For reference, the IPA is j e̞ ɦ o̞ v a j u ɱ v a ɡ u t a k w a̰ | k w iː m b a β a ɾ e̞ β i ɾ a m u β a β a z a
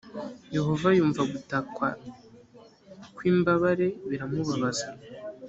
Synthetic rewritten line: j e̞ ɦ o̞ v a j uː ɱ v a ɡ u t a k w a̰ | k w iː m b a β a ɾ e̞ β i ɾ a m u β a β a z a